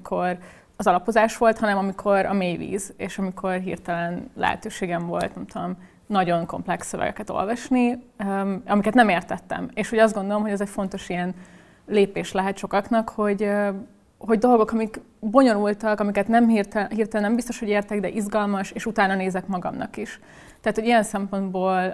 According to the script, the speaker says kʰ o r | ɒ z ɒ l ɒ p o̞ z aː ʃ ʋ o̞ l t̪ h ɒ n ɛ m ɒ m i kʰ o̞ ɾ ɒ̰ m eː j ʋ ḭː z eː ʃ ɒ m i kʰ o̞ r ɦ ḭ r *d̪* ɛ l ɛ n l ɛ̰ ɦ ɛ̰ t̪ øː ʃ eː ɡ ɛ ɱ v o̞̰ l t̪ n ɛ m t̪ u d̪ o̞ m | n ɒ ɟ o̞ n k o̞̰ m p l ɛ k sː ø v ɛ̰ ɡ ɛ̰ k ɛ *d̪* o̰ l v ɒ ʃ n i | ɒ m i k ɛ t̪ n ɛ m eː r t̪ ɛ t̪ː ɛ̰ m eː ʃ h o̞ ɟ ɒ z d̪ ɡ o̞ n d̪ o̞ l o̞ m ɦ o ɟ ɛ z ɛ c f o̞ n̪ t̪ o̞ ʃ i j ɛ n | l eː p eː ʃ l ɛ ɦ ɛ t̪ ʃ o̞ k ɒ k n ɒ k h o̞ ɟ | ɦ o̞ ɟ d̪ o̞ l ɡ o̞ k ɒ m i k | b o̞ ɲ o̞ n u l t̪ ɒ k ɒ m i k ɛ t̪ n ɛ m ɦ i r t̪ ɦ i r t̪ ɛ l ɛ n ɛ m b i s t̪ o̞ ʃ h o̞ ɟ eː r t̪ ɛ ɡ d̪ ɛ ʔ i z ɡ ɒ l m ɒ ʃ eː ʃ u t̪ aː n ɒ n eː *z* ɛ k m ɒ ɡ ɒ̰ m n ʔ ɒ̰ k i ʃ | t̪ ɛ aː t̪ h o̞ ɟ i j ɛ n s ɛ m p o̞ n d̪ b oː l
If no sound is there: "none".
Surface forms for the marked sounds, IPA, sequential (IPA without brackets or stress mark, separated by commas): t̪, t̪, z